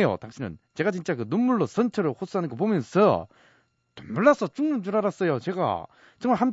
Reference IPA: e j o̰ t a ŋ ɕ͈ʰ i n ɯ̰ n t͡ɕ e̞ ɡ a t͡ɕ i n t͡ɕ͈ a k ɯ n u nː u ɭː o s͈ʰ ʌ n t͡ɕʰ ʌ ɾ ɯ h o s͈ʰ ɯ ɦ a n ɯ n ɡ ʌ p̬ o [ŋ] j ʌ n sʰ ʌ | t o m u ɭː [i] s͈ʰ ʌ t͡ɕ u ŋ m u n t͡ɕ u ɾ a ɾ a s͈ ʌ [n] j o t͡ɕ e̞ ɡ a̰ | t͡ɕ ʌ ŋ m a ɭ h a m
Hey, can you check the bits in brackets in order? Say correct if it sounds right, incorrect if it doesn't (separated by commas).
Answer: incorrect, incorrect, incorrect